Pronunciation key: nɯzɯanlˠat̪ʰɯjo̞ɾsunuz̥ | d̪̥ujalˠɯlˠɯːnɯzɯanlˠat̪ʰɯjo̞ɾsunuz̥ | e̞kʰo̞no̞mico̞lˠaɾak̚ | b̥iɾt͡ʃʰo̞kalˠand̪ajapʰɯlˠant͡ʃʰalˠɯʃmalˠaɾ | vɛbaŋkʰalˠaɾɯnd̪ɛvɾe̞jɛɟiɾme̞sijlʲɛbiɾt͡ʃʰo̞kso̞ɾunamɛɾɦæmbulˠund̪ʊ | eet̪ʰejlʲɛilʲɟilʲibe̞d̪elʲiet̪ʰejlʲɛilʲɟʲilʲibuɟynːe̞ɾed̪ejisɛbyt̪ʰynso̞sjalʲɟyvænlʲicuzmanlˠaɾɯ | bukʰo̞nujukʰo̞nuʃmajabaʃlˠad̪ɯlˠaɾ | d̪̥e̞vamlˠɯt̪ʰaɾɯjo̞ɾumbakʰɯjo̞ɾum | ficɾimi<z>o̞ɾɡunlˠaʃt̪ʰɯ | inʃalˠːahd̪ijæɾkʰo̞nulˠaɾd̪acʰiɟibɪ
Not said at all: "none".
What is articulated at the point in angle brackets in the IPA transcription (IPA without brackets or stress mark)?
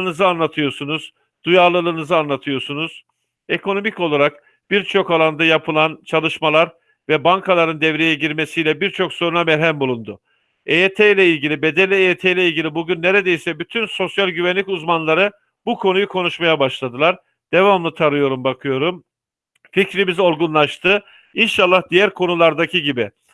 z